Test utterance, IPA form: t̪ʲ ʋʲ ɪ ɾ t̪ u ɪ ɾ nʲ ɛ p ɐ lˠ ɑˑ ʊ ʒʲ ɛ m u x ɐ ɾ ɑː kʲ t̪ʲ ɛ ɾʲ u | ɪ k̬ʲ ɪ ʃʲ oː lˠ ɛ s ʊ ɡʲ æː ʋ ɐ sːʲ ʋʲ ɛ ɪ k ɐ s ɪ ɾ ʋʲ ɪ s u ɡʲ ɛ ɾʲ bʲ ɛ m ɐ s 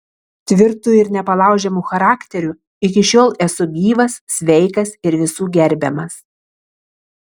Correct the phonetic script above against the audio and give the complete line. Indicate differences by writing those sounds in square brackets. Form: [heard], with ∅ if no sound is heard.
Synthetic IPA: t̪ʲ ʋʲ ɪ ɾ t̪ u ɪ ɾ nʲ ɛ p ɐ lˠ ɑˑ ʊ ʒʲ ɛ m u x ɐ ɾ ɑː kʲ t̪ʲ ɛ ɾʲ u | ɪ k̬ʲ ɪ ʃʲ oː lˠ ɛ s ʊ ɡʲ [iː] ʋ ɐ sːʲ ʋʲ ɛ ɪ k ɐ s ɪ ɾ ʋʲ ɪ s [uː] ɡʲ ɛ ɾʲ bʲ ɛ m ɐ s

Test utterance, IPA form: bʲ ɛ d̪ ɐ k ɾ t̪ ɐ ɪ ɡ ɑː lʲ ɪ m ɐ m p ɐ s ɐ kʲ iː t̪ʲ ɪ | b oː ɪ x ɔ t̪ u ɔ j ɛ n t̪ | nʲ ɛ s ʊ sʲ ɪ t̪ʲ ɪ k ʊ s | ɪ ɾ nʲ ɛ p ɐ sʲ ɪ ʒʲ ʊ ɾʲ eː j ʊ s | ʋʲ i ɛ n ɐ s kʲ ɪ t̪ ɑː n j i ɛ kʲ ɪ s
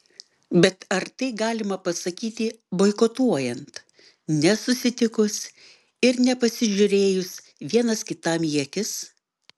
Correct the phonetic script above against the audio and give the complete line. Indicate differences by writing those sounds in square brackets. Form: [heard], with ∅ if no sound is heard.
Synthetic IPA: bʲ ɛ [t̪] ɐ [∅] ɾ t̪ ɐ ɪ ɡ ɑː lʲ ɪ m ɐ [∅] p ɐ s ɐ kʲ iː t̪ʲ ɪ | b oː ɪ [k] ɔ t̪ u ɔ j ɛ n t̪ | nʲ ɛ s ʊ sʲ ɪ t̪ʲ ɪ k ʊ s | ɪ ɾ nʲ ɛ p ɐ sʲ ɪ ʒʲ ʊ ɾʲ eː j ʊ s | ʋʲ i ɛ n ɐ s kʲ ɪ t̪ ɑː [m] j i ɛ kʲ ɪ s

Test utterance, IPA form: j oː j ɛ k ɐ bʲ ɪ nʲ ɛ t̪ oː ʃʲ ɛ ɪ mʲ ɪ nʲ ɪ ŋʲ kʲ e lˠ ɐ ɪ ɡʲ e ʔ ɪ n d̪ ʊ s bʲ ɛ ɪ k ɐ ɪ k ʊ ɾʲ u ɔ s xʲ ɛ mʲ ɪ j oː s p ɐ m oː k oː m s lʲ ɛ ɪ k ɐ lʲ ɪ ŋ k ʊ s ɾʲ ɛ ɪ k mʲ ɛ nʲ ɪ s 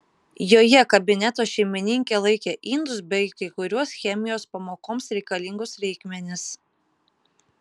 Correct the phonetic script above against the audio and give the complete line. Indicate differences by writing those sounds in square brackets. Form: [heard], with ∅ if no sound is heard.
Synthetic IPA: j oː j ɛ k ɐ bʲ ɪ nʲ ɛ t̪ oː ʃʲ ɛ ɪ mʲ ɪ nʲ ɪ ŋʲ kʲ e lˠ ɐ ɪ [kʲ] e ʔ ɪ n d̪ ʊ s bʲ ɛ ɪ k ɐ ɪ k ʊ ɾʲ u ɔ s xʲ ɛ mʲ ɪ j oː s p ɐ m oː k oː m s [ɾʲ] ɛ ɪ k ɐ lʲ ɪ ŋ [ɡ] ʊ s ɾʲ ɛ ɪ k mʲ ɛ nʲ ɪ s

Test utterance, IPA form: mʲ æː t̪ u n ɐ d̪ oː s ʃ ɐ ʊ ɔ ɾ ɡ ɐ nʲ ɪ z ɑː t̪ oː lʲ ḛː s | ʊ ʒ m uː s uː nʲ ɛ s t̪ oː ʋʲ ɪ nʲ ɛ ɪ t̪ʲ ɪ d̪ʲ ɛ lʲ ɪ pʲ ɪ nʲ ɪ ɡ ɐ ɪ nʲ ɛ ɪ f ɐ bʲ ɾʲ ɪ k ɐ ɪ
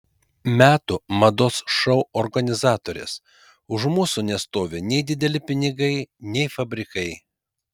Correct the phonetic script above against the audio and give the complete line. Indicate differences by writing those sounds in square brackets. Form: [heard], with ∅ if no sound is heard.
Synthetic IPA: mʲ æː t̪ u [m] ɐ d̪ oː s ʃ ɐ ʊ ɔ ɾ ɡ ɐ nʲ ɪ z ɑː t̪ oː [ɾʲ] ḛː s | ʊ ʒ m uː s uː nʲ ɛ s t̪ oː ʋʲ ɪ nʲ ɛ ɪ [d̪ʲ] ɪ d̪ʲ ɛ lʲ ɪ pʲ ɪ nʲ ɪ ɡ ɐ ɪ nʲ ɛ ɪ f ɐ bʲ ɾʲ ɪ k ɐ ɪ

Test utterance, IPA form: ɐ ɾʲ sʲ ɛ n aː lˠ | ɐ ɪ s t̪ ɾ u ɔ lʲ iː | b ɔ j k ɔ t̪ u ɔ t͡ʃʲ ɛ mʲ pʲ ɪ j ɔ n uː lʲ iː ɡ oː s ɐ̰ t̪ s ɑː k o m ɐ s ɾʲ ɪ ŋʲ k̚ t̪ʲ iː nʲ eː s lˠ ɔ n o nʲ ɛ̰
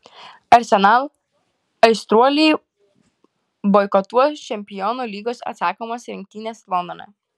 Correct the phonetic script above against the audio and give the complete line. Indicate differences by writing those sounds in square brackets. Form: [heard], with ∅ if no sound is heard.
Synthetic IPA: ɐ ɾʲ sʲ ɛ n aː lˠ | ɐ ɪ s t̪ ɾ u ɔ lʲ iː | b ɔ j k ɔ t̪ u ɔ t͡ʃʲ ɛ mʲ pʲ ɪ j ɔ n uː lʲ iː ɡ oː s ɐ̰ t̪ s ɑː k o m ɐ s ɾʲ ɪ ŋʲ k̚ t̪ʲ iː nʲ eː s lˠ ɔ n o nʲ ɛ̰

